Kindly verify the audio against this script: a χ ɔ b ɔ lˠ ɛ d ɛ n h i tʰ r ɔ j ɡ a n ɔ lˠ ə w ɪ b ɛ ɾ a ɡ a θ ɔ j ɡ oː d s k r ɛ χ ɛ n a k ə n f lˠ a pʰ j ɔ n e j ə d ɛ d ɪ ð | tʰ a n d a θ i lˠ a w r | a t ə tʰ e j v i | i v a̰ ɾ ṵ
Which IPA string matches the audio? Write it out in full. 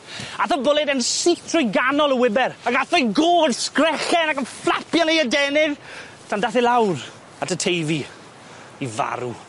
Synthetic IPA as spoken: a θ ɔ b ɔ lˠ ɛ d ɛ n s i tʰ r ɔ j ɡ a n ɔ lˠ ə w ɪ b ɛ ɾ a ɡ a θ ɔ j ɡ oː d s k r ɛ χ ɛ n a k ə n f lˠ a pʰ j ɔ n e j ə d ɛ n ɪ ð | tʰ a n d a θ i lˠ a w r | a t ə tʰ e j v i | i v a̰ ɾ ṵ

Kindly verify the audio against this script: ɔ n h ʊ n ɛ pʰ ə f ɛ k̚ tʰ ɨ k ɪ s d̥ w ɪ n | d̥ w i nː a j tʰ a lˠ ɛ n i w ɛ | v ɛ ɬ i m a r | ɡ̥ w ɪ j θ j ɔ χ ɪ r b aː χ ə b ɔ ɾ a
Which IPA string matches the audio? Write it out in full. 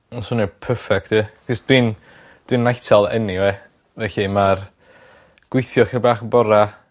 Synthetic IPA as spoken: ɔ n s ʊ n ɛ pʰ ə f ɛ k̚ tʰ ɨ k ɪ s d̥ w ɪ n | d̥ w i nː a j tʰ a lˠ ɛ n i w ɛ | v ɛ ɬ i m a r | ɡ̥ w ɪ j θ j ɔ χ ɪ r b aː χ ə b ɔ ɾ a

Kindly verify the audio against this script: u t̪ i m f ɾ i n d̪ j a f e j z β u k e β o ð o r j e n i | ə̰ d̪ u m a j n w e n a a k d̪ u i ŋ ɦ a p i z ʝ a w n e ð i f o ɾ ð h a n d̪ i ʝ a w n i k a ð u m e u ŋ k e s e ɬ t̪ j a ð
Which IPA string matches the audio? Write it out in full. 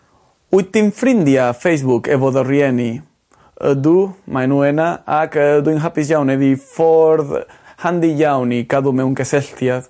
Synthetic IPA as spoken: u t̪ i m f ɾ i n d̪ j a f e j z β u k e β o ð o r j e n i | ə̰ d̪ u m a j n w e n a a k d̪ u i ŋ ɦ a p i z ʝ a w n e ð i f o ɾ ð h a n d̪ i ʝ a w n i k a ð u m e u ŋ k e s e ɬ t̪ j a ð

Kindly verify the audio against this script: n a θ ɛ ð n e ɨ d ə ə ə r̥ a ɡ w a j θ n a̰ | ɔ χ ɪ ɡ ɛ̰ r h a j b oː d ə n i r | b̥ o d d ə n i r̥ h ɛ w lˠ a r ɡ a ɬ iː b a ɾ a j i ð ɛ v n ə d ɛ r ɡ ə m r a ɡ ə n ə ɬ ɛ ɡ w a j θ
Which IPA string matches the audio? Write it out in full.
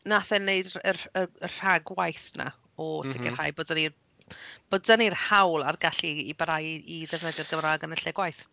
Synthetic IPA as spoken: n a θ ɛ n e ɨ d ə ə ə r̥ a ɡ w a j θ n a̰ | ɔ s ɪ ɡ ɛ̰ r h a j b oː d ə n i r | b̥ o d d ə n i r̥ h a w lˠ a r ɡ a ɬ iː b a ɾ a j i ð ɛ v n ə d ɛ r ɡ ə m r a ɡ ə n ə ɬ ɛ ɡ w a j θ

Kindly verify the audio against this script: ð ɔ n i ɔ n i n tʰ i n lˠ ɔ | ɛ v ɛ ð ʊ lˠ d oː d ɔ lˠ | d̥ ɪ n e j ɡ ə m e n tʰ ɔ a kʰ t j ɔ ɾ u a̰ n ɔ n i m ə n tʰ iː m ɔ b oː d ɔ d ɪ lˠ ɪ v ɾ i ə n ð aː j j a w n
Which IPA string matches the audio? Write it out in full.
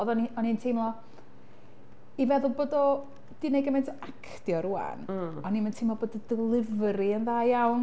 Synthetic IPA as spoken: ð ɔ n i ɔ n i n tʰ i m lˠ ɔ | i v ɛ ð ʊ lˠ b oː d ɔ | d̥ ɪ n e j ɡ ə m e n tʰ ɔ a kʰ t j ɔ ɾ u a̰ n ɔ n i m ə n tʰ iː m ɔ b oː d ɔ d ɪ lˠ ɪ v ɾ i ə n ð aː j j a w n

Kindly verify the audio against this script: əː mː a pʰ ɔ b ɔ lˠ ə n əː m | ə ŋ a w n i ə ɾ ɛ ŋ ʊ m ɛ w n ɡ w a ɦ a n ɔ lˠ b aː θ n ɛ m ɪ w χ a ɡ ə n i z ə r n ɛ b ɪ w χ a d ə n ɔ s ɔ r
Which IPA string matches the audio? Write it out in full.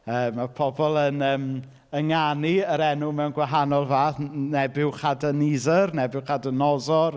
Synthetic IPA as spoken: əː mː a pʰ ɔ b ɔ lˠ ə n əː m | ə ŋ a n i ə ɾ ɛ n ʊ m ɛ w n ɡ w a ɦ a n ɔ lˠ v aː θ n ɛ b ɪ w χ a d ə n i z ə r n ɛ b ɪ w χ a d ə n ɔ z ɔ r

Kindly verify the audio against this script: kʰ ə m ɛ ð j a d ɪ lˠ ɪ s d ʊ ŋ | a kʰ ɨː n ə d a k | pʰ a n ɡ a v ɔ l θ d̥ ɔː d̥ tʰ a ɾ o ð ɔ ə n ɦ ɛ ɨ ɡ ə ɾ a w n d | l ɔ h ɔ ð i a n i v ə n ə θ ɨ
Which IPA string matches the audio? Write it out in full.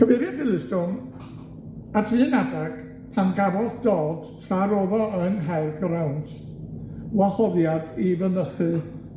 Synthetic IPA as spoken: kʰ ə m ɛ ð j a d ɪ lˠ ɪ s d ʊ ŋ | a tʰ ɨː n a d a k | pʰ a n ɡ a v ɔ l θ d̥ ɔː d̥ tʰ a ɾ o ð ɔ ə n ɦ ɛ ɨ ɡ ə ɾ a w n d | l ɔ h ɔ ð j a d i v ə n ə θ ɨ

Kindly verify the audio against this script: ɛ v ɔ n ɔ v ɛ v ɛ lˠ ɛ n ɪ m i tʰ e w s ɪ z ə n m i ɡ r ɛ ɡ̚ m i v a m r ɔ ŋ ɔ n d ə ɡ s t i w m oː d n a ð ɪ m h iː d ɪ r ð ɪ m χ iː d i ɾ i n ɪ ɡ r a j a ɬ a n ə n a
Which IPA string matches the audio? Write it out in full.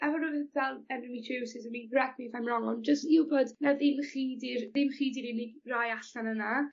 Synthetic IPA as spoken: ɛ v ɔ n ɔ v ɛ v ɛ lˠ ɛ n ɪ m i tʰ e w s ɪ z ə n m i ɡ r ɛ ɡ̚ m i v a m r ɔ ŋ ɔ n d͡ʒ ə s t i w b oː d n a ð ɪ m χ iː d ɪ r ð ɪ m χ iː d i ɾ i n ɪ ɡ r a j a ɬ a n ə n a

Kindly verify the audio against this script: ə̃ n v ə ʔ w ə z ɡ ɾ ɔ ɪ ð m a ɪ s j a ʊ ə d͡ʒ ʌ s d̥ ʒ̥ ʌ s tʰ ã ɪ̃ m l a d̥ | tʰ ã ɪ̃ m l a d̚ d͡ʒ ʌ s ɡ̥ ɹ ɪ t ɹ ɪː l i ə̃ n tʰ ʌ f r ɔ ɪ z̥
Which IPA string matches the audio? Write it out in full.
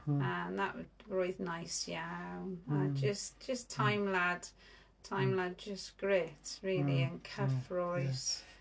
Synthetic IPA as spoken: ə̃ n ð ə ʔ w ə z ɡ ɹ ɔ ɪ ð n a ɪ s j a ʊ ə d͡ʒ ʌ s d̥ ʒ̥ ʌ s tʰ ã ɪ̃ m l a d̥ | tʰ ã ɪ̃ m l a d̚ d͡ʒ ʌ s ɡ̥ ɹ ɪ t ɹ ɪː l i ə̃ n kʰ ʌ f ɹ ɔ ɪ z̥

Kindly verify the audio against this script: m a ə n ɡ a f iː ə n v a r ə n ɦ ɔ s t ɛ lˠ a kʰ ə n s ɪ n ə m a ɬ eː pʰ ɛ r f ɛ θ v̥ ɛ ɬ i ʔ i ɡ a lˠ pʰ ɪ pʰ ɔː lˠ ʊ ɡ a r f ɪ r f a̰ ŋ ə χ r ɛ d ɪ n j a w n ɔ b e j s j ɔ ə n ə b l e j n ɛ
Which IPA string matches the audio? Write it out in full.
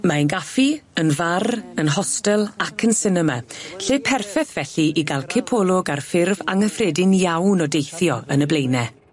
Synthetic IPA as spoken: m a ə n ɡ a f i ə n v a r ə n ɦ ɔ s t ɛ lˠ a kʰ ə n s ɪ n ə m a ɬ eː pʰ ɛ r f ɛ θ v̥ ɛ ɬ i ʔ i ɡ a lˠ kʰ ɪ pʰ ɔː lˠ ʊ ɡ a r f ɪ r v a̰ ŋ ə f r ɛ d ɪ n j a w n ɔ d e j θ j ɔ ə n ə b l e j n ɛ

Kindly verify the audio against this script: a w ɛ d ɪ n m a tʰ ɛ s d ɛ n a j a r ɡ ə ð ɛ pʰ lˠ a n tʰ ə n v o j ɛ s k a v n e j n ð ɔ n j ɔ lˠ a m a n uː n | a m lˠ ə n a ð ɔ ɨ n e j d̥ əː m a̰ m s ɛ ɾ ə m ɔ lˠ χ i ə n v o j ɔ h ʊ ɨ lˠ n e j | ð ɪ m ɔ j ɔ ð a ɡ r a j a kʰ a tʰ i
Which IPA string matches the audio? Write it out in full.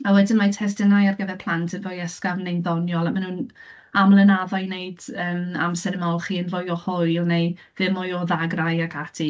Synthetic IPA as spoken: a w ɛ d ɪ n m a tʰ ɛ s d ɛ n a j a r ɡ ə ð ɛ pʰ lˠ a n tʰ ə n v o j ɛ s k a v n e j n ð ɔ n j ɔ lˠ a m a n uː n | a m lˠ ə n a ð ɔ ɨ n e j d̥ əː m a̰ m s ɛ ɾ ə m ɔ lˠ χ i ə n v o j ɔ h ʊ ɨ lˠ n e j | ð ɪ m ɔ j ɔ ð a ɡ r a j a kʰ a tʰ i

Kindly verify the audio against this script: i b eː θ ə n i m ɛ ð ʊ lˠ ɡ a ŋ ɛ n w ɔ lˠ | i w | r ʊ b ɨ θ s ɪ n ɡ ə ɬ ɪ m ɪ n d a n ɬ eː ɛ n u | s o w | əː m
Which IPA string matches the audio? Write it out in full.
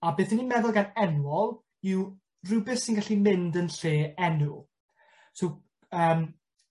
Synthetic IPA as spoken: a b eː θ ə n i m ɛ ð ʊ lˠ ɡ a n ɛ n w ɔ lˠ | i w | r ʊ b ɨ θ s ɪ n ɡ a ɬ i m ɪ n d ə n ɬ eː ɛ n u | s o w | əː m

